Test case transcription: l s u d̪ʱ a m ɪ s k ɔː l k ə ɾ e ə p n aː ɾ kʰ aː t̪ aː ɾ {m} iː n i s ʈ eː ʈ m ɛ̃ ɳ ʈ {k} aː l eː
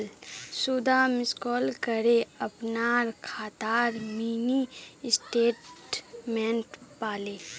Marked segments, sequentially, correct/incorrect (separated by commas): correct, incorrect